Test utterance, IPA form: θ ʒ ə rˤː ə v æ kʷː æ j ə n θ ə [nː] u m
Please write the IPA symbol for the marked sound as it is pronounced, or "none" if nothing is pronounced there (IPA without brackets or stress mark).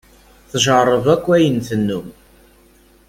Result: nː